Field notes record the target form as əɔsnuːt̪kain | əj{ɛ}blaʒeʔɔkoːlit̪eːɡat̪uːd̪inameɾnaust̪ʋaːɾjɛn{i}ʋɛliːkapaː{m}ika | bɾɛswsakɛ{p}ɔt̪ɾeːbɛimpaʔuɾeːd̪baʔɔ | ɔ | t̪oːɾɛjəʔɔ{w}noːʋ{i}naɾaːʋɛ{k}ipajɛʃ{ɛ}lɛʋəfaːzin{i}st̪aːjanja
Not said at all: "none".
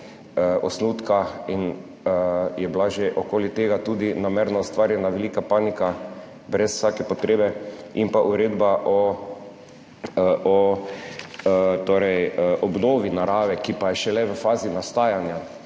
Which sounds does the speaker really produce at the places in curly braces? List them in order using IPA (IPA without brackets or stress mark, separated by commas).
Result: ɛ, a, n, p, b, i, k, ɛ, a